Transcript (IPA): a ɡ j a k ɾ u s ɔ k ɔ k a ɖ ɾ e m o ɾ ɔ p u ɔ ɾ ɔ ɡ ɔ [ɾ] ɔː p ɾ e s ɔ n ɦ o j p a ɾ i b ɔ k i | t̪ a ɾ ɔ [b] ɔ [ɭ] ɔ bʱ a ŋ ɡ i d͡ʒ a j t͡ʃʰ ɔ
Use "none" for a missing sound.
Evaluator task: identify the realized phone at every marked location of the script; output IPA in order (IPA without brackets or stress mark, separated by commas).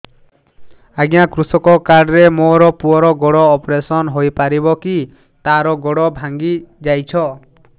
ɽ, ɡ, ɽ